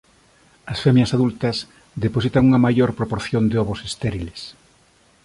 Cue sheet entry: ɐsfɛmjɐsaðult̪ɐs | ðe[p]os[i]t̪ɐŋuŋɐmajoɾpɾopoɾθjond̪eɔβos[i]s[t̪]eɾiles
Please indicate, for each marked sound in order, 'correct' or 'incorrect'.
correct, correct, incorrect: e, correct

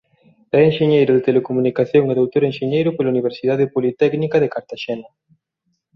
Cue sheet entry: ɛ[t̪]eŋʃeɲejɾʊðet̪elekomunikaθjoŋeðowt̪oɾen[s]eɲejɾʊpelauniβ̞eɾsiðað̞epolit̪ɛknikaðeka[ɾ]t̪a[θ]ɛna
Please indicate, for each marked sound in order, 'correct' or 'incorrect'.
incorrect: none, incorrect: ʃ, correct, incorrect: ʃ

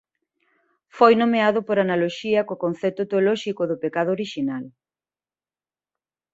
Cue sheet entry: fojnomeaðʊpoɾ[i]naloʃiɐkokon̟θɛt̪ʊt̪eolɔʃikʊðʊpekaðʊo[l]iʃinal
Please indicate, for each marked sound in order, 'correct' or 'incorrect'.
incorrect: a, incorrect: ɾ

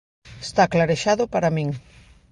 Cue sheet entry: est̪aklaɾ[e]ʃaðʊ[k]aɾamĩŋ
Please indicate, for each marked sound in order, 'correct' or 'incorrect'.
correct, incorrect: p

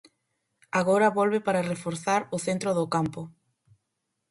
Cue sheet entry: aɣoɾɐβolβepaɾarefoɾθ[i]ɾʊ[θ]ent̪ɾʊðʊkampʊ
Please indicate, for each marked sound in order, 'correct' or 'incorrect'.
incorrect: a, correct

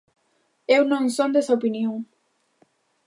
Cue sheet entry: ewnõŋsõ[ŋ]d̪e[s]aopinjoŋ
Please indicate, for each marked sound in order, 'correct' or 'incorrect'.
incorrect: n, correct

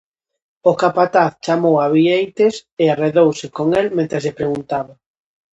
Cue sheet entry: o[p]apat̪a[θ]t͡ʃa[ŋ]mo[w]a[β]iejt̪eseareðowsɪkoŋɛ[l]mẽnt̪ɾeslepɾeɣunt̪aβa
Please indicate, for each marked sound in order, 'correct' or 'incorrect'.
incorrect: k, correct, incorrect: none, correct, correct, correct

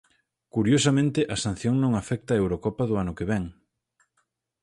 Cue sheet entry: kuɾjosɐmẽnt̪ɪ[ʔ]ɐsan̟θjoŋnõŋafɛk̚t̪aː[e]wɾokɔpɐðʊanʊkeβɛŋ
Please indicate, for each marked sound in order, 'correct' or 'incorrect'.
correct, correct

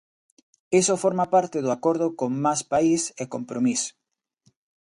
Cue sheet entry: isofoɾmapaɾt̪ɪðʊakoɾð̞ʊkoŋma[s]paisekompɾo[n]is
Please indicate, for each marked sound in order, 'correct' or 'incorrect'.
correct, incorrect: m

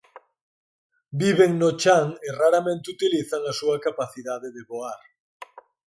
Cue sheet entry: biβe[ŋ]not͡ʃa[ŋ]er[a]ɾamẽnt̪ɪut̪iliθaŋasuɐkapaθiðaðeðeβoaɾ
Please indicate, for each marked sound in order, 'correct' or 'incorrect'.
correct, correct, correct

